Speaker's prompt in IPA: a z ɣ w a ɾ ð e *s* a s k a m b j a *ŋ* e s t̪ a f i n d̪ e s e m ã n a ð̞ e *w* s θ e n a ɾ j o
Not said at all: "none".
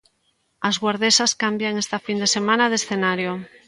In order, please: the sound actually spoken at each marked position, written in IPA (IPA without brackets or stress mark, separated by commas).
s, ŋ, none